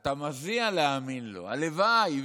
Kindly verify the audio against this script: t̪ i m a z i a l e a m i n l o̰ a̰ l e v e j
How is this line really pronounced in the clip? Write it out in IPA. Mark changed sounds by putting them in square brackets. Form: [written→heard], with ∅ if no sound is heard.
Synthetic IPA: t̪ [i→a] m a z i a l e a m i n l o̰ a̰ l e v [e→a] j